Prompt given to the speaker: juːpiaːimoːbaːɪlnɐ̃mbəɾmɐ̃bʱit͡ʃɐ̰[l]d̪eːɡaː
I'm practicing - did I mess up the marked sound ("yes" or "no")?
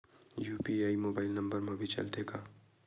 no